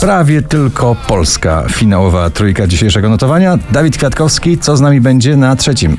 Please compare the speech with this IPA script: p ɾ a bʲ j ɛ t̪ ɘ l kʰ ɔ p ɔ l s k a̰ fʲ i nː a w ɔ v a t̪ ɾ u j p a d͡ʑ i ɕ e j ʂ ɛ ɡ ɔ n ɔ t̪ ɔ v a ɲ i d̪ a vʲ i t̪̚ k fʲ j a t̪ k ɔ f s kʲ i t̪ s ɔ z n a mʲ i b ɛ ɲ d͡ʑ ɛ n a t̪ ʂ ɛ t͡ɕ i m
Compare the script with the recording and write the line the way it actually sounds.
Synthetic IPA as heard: p ɾ a vʲ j ɛ t̪ ɘ l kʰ ɔ p ɔ l s k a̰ fʲ i n a w ɔ v a t̪ ɾ u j k a d͡ʑ i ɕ e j ʂ ɛ ɡ ɔ n ɔ t̪ ɔ v a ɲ a d̪ a vʲ i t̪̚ k fʲ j a t̪ k ɔ f s kʲ i t̪ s ɔ z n a mʲ i b ɛ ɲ d͡ʑ ɛ n a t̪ ʂ ɛ t͡ɕ i m